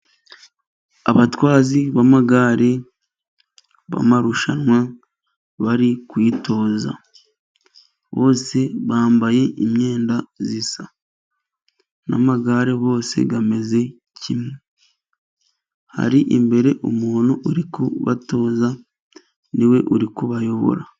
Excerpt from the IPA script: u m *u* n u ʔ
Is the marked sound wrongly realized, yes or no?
yes